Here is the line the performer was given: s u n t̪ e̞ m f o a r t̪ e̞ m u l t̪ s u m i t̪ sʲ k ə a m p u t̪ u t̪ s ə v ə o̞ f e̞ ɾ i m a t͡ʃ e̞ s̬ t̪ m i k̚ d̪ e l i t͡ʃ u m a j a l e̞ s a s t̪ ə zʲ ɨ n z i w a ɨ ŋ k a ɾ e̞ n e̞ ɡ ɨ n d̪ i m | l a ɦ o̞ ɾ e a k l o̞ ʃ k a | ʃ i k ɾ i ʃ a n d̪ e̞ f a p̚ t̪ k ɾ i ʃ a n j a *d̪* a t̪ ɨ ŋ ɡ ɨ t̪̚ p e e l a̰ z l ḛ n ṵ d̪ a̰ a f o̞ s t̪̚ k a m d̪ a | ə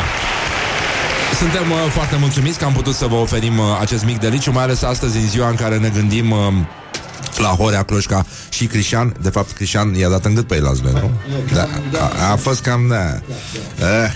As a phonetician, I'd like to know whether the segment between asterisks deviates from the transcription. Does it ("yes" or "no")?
no